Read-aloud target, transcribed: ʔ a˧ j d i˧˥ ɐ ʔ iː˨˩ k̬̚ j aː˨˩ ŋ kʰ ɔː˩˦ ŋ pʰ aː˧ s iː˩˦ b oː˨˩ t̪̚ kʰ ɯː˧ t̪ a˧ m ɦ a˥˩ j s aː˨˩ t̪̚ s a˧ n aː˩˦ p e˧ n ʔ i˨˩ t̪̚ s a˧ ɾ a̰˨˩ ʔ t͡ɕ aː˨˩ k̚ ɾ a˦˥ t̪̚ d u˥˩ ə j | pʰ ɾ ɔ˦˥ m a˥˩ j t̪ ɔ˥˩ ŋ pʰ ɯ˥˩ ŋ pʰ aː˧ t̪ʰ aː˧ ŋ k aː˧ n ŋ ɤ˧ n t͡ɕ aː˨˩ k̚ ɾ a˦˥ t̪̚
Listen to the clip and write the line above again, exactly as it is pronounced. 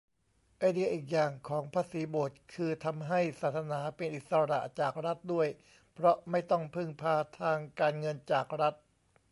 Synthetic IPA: ʔ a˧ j d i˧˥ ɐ ʔ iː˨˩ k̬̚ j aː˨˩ ŋ kʰ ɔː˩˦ ŋ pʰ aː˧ s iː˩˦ b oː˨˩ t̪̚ kʰ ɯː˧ t̪ʰ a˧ m ɦ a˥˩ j s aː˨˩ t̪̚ s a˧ n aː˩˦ p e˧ n ʔ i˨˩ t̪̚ s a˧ ɾ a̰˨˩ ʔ t͡ɕ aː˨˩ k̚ ɾ a˦˥ t̪̚ d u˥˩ ə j | pʰ ɾ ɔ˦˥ m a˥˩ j t̪ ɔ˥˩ ŋ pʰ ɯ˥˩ ŋ pʰ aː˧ t̪ʰ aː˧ ŋ k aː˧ n ŋ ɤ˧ n t͡ɕ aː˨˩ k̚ ɾ a˦˥ t̪̚